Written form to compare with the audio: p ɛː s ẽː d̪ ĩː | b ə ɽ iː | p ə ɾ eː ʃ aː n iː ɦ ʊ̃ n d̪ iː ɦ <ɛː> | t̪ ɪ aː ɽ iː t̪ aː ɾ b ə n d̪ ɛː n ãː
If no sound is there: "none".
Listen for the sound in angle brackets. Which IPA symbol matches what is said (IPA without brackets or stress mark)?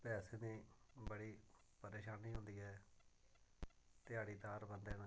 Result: ɛː